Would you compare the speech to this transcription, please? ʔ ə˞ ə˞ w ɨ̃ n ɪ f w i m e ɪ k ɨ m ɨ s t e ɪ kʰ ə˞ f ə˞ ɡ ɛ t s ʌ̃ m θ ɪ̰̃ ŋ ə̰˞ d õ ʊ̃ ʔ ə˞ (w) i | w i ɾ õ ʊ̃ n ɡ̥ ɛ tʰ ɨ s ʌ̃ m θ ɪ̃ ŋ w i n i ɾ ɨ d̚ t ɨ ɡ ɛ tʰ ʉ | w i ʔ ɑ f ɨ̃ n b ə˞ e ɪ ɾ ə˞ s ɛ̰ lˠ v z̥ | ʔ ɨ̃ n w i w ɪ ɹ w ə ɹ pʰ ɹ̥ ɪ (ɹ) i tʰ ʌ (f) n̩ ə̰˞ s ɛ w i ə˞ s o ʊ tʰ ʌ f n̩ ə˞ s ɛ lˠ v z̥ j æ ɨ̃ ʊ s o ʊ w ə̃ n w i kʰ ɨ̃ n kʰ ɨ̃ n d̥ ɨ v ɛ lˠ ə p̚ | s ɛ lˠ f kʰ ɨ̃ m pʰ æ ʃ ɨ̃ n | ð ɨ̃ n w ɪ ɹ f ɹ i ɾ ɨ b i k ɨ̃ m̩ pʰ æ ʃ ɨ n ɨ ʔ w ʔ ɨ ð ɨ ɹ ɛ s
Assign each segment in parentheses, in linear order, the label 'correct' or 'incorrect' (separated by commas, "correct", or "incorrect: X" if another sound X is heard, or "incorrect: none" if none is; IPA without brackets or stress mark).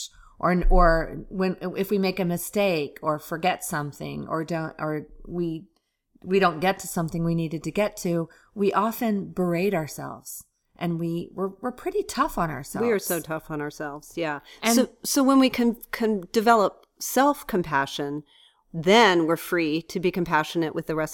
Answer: correct, incorrect: ɾ, correct